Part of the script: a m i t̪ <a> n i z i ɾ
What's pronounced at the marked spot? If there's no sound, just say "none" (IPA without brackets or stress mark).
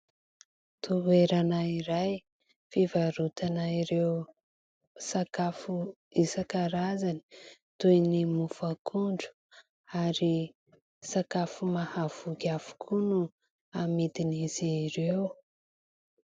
i